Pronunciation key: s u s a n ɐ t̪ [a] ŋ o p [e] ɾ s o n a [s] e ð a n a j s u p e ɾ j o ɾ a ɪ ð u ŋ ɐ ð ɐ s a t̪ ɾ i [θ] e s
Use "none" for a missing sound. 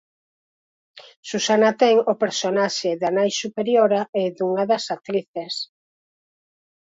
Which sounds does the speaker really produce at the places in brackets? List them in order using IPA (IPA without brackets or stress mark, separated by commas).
ɛ, e, ʃ, θ